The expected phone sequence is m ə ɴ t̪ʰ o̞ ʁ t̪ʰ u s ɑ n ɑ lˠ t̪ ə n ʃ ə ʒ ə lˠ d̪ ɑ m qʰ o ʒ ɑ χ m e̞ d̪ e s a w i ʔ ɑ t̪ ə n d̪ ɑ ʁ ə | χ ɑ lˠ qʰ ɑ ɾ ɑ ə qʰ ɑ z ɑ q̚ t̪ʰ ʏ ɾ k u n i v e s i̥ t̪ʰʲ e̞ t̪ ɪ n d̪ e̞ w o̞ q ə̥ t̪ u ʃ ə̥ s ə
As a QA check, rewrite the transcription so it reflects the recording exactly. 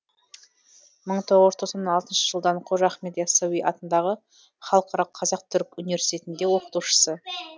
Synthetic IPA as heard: m ə ɴ t̪ʰ o̞ ʁ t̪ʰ o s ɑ n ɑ lˠ t̪ ə n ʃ ə ʒ ə lˠ d̪ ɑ ɴ qʰ o ʒ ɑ χ m e̞ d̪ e s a w i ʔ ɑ t̪ ə n d̪ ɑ ʁ ə | χ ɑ lˠ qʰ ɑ ɾ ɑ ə qʰ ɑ z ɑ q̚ t̪ʰ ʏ ɾ k u n i v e s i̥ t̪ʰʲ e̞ t̪ ɪ n d̪ e̞ w o̞ q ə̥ t̪ u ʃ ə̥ s ə

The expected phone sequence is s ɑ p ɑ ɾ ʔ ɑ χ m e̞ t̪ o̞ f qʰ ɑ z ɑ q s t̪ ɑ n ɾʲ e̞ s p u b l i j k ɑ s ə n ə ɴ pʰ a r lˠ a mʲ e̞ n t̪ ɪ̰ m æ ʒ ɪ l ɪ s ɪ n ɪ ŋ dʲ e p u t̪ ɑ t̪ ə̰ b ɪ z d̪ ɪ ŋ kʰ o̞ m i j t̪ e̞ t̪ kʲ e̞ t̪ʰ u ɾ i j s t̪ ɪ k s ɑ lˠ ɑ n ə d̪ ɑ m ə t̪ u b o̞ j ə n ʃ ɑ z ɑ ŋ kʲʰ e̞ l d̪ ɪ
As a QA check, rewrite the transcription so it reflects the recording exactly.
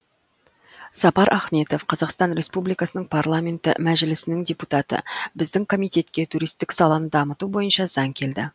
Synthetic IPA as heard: s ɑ p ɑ ɾ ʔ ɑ χ m e̞ t̪ o̞ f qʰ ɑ z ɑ q s t̪ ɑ n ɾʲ e̞ s p u b l i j k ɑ s ə n ə ɴ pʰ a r lˠ a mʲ e̞ n t̪ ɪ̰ m æ ʒ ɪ l ɪ s ɪ n ɪ ŋ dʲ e p u t̪ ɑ t̪ ə̰ b ɪ z d̪ ɪ ŋ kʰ o̞ m i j t̪ e̞ t̪ kʲ e̞ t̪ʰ u ɾ i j s t̪ ɪ k s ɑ lˠ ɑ n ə d̪ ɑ m ə t̪ u b o̞ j ə n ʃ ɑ z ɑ ŋ kʲʰ e̞ l d̪ ɪ

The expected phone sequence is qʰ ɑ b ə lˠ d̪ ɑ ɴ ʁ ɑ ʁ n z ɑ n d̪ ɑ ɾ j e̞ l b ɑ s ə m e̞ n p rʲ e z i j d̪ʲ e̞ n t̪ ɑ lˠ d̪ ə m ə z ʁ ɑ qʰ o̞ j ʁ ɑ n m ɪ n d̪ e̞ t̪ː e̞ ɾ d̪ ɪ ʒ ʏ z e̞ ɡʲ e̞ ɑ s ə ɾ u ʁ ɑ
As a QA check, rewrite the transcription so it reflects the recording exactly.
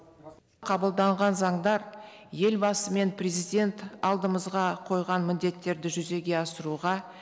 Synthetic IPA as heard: qʰ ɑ b ə lˠ d̪ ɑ ɴ ʁ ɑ n z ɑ ɴ d̪ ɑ ɾ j e̞ l b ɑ s ə m e̞ n p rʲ e z i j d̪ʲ e̞ n t̪ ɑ lˠ d̪ ə m ə z ʁ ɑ qʰ o̞ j ʁ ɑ n m ɪ n d̪ e̞ t̪ː e̞ ɾ d̪ ɪ ʒ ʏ z e̞ ɡʲ e̞ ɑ s ə ɾ u ʁ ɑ

